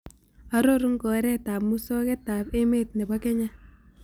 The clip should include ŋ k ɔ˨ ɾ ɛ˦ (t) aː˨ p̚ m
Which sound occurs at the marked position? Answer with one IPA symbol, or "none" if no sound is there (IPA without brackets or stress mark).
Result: t